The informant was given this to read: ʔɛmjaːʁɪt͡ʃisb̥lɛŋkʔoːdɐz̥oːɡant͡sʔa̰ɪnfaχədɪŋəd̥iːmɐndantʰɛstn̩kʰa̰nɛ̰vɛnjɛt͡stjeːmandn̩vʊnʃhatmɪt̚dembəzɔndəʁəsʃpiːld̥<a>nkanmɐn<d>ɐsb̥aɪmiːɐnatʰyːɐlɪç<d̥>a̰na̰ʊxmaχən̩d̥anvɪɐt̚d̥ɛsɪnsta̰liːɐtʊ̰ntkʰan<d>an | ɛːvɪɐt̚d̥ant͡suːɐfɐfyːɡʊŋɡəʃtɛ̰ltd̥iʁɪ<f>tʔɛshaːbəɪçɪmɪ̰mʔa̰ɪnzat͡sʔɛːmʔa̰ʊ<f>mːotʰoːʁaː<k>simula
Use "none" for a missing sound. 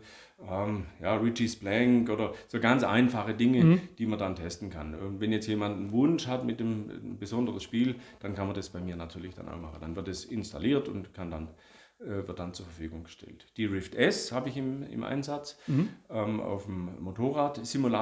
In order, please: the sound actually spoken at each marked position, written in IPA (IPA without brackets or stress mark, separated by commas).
a, d, d̥, d, f, f, t